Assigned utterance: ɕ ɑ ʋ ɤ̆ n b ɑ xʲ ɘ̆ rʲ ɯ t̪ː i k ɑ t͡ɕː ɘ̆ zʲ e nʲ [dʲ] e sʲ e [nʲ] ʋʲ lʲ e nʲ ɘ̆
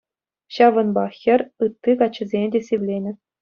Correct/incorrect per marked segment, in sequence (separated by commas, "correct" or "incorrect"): correct, incorrect